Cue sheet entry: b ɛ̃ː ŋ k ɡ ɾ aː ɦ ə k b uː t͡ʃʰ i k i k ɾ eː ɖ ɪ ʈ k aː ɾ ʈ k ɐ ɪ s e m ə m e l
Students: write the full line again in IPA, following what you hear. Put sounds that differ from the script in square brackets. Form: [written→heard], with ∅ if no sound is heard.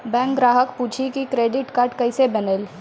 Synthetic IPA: b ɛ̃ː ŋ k ɡ ɾ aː ɦ ə k [b→p] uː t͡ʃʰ i k i k ɾ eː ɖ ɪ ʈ k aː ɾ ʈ k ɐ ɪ s e [m→b] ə [m→n] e l

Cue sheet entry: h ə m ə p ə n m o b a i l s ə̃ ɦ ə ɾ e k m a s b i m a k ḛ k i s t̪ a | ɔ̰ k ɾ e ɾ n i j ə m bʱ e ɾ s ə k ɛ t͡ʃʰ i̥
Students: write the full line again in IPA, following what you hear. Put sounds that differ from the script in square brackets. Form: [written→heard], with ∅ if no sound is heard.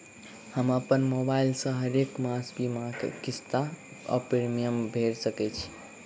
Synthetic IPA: h ə m ə p ə n m o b a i l s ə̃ ɦ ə ɾ e k m a s b i m a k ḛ k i s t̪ a | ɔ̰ [k→p] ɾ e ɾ [n→m] i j ə m bʱ e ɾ s ə k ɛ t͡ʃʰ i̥

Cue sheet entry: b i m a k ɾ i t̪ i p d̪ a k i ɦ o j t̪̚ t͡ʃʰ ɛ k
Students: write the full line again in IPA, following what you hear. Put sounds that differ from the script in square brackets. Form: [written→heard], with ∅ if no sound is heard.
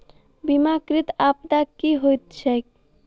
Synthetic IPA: b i m a k ɾ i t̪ [i→a] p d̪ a k i ɦ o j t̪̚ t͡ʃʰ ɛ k

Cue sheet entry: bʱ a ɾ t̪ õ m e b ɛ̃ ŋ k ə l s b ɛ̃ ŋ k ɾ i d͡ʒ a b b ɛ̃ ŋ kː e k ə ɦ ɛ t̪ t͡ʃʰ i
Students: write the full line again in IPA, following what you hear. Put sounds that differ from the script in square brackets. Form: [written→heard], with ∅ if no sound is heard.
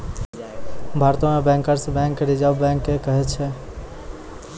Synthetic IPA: bʱ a ɾ t̪ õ m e b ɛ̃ ŋ k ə [l→ɾ] s b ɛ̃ ŋ k ɾ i d͡ʒ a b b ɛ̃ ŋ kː e k ə ɦ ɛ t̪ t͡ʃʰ [i→ɛ]

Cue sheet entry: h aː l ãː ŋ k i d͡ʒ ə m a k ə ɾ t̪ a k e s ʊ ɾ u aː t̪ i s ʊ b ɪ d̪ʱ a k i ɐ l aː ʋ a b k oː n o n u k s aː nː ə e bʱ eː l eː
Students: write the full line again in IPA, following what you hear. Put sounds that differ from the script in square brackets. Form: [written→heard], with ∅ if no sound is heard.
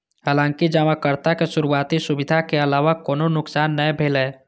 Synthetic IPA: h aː l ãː ŋ k i d͡ʒ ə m a k ə ɾ t̪ a k e s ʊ ɾ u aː t̪ i s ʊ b ɪ d̪ʱ a k [i→e] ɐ l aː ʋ a [b→∅] k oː n o n [u→ʊ] k s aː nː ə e bʱ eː l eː

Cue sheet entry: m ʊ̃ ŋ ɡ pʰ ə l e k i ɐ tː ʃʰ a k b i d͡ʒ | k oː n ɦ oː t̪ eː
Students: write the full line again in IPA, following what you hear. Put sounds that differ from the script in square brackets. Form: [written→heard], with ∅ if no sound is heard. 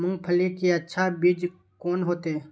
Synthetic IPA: m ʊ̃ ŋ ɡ pʰ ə l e k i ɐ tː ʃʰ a [k→∅] b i d͡ʒ | k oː n ɦ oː t̪ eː

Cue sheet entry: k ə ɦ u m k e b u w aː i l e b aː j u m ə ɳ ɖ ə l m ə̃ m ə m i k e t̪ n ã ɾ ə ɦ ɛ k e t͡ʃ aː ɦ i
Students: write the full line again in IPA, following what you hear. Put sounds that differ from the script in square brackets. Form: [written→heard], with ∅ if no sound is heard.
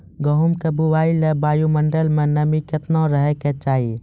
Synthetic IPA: [k→ɡ] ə ɦ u m k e b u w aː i l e b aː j u m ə ɳ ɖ ə l m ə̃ [m→n] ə m i k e t̪ n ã ɾ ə ɦ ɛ k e t͡ʃ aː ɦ i

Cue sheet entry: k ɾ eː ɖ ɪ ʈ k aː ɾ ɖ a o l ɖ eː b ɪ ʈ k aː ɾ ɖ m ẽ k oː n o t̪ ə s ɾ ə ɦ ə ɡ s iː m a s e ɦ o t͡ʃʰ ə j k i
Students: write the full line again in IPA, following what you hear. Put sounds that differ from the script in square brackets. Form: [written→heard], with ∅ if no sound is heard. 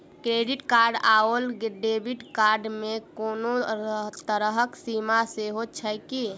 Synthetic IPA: k ɾ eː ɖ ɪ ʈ k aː ɾ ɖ a o l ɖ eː b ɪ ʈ k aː ɾ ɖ m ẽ k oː n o t̪ ə [s→∅] ɾ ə ɦ ə [ɡ→k] s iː m a s e ɦ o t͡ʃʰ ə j k i

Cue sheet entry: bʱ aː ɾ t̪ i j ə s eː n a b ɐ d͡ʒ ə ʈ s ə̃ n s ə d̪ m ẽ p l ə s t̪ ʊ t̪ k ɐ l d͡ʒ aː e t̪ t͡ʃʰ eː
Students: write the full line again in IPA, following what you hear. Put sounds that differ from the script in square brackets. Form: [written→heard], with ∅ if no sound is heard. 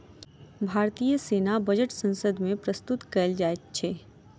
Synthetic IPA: bʱ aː ɾ t̪ i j ə s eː n a b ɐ d͡ʒ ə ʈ s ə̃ n s ə d̪ m ẽ p [l→ɾ] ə s t̪ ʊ t̪ k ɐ l d͡ʒ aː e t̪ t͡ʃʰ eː

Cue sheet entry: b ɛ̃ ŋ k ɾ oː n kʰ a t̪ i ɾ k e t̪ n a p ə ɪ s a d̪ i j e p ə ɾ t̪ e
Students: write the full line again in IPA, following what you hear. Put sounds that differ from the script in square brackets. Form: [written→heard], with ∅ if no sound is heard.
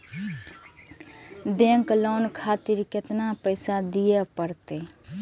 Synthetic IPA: b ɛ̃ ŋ k [ɾ→l] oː n kʰ a t̪ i ɾ k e t̪ n a p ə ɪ s a d̪ i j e p ə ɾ t̪ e

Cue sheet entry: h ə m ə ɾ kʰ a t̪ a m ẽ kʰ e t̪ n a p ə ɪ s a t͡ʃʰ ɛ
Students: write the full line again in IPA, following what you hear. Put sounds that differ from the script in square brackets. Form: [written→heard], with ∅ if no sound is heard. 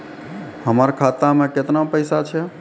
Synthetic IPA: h ə m ə ɾ kʰ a t̪ a m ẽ [kʰ→k] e t̪ n a p ə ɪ s a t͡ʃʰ ɛ

